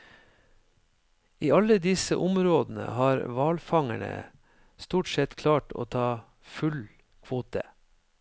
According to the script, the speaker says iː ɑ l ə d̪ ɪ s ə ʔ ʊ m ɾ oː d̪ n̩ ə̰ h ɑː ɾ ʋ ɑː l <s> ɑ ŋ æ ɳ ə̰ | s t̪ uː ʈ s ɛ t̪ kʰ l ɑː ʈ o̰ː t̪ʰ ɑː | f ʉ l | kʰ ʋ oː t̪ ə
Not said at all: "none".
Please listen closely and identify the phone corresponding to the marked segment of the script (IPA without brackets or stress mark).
f